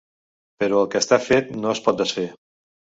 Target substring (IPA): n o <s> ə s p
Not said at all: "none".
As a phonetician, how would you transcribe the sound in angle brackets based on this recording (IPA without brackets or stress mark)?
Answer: none